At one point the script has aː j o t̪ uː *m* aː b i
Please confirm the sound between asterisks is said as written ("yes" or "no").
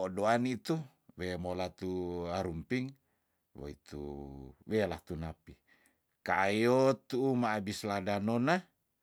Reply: yes